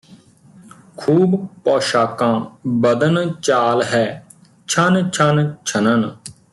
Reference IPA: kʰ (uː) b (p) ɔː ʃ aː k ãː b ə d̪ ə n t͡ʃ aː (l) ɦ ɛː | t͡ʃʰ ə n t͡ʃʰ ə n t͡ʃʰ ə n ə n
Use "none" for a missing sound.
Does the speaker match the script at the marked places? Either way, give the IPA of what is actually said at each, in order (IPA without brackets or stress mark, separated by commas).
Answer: uː, p, l